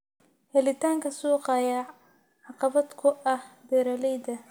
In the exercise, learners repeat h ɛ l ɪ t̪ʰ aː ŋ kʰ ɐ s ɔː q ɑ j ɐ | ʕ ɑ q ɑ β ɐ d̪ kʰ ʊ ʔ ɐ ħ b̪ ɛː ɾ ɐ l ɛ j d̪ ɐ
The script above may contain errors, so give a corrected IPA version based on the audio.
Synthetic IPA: h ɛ l ɪ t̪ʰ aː ŋ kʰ ɐ s uː q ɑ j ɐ | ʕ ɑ q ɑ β ɐ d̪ kʰ ʊ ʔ ɐ h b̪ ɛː ɾ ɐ l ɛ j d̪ ɐ